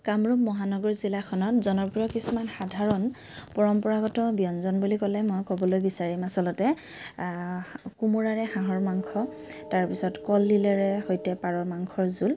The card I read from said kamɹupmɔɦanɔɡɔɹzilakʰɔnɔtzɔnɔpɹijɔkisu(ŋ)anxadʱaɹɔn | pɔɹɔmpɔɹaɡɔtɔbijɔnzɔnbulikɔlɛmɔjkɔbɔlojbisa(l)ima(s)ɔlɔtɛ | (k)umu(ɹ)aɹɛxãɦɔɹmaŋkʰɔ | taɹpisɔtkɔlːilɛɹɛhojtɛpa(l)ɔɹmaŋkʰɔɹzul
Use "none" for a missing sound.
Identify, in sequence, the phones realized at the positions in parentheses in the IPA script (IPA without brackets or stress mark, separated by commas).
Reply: m, ɹ, s, k, ɹ, ɹ